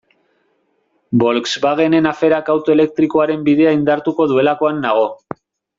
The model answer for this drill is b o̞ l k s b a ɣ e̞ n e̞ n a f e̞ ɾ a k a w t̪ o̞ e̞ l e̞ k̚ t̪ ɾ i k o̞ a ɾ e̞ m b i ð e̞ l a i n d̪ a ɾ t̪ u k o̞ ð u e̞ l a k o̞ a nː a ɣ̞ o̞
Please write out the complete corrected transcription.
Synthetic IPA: b o̞ l k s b a ɣ e̞ n e̞ n a f e̞ ɾ a k a w t̪ o̞ e̞ l e̞ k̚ t̪ ɾ i k o̞ a ɾ e̞ m b i ð e̞ a i n d̪ a ɾ t̪ u k o̞ ð u e̞ l a k o̞ a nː a ɣ̞ o̞